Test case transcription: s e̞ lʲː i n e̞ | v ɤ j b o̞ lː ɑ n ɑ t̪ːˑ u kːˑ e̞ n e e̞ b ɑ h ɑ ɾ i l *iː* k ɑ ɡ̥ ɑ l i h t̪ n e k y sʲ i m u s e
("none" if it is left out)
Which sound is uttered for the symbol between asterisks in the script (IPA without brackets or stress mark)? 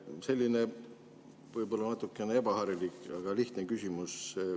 i